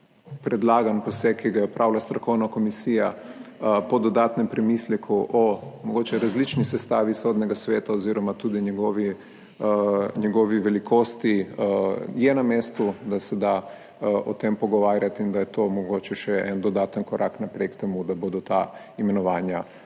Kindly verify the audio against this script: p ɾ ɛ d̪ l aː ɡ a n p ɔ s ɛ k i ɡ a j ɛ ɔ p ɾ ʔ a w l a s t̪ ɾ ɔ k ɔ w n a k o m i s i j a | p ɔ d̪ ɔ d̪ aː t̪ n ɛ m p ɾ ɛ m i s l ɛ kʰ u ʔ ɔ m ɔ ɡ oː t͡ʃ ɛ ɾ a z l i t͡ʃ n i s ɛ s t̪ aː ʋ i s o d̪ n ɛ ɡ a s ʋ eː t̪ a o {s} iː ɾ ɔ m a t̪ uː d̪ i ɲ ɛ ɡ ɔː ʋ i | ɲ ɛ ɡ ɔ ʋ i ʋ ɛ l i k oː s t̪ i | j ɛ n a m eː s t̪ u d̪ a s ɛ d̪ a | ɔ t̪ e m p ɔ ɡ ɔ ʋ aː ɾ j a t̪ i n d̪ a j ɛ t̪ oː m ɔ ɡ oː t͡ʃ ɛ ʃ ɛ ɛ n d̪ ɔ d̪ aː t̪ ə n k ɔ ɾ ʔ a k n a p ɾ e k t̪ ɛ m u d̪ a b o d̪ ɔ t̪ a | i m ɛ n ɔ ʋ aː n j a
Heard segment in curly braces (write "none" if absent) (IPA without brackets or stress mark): z